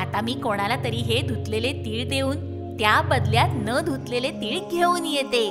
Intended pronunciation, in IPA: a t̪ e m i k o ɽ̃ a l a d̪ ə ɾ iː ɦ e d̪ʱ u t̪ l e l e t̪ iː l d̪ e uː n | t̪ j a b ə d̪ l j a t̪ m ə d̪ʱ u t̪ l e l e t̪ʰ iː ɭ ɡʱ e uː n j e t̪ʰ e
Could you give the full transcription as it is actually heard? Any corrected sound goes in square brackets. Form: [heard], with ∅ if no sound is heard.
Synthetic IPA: a t̪ [a] m [iː] k o ɽ̃ a l a [t̪] ə ɾ iː ɦ e d̪ʱ u t̪ l e l e t̪ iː [ɭ] d̪ e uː n | t̪ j a b ə d̪ l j a t̪ [n] ə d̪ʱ u t̪ l e l e [t̪] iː ɭ ɡʱ e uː n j e [t̪] e